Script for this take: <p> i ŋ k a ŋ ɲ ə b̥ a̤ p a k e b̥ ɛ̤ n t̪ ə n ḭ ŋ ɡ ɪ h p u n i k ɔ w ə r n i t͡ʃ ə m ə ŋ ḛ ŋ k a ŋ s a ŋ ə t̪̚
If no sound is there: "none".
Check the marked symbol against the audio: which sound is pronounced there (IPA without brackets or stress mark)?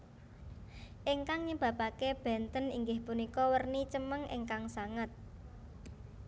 ʔ